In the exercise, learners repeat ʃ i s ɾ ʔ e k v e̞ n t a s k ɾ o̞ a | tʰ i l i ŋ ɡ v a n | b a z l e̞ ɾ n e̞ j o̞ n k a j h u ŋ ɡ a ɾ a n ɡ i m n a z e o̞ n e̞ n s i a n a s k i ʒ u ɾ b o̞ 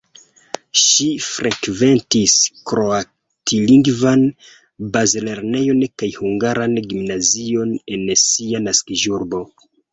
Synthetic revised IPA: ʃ i f ɾ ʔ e k v e̞ n t i s k ɾ o̞ a | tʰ i l i ŋ ɡ v a n | b a z l e̞ ɾ n e̞ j o̞ n k a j h u ŋ ɡ a ɾ a n ɡ i m n a z i o̞ n e̞ n s i a n a s k i ʒ u ɾ b o̞